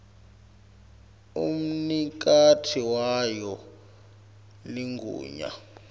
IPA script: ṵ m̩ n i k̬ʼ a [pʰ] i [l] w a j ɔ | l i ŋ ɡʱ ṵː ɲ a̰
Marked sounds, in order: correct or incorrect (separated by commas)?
incorrect, incorrect